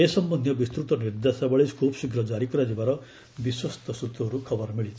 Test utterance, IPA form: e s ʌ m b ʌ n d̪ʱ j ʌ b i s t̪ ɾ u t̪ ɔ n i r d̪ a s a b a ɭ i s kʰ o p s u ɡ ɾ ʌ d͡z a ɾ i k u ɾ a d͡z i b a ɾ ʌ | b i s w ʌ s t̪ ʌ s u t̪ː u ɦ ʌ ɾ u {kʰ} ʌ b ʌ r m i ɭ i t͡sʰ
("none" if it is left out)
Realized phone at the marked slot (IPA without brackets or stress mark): kʰ